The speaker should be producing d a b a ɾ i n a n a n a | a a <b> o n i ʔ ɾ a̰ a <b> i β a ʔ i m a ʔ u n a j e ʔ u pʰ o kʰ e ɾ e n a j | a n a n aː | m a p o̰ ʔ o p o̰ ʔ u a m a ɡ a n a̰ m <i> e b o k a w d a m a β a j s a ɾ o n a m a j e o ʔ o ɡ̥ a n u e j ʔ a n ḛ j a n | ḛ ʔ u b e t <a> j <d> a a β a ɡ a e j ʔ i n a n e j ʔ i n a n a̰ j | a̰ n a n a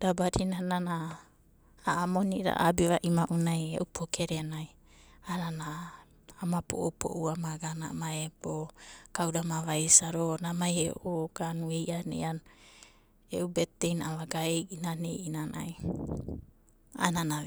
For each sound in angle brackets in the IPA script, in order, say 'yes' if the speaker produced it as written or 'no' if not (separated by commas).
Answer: no, yes, no, no, no